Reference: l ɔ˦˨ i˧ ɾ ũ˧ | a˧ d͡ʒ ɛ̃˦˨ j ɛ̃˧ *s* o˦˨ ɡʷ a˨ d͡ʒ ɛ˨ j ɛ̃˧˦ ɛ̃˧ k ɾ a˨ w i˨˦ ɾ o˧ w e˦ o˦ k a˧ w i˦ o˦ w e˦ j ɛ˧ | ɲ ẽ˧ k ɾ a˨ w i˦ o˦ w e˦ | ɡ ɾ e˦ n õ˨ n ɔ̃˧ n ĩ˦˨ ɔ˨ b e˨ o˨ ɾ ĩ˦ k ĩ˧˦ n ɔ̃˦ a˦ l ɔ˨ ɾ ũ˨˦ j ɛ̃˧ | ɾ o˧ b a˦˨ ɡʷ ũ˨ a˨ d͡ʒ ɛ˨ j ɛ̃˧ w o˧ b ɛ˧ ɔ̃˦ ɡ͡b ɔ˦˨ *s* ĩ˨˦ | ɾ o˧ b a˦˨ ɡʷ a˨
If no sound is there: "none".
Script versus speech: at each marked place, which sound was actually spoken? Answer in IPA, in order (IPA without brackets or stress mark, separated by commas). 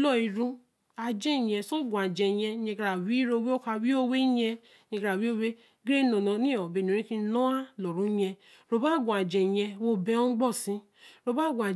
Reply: s, s